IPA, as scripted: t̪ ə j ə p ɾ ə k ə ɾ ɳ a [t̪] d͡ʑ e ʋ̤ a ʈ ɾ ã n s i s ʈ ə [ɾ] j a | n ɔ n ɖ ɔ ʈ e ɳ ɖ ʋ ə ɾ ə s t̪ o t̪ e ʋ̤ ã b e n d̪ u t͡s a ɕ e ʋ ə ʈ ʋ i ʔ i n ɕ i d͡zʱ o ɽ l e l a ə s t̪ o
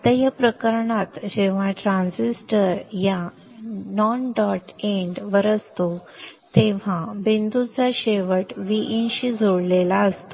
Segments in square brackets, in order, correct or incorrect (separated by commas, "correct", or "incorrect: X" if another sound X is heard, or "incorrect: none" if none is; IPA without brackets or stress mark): correct, correct